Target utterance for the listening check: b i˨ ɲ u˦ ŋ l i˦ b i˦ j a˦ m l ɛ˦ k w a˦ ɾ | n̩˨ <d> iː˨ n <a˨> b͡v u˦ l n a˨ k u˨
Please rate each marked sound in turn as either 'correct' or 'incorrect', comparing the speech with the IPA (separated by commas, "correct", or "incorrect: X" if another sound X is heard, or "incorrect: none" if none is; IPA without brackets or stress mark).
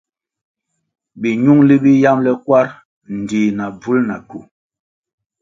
correct, correct